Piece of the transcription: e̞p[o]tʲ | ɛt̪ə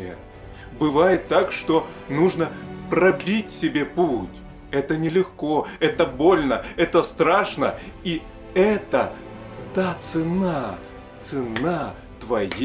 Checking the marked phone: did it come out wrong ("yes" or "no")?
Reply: yes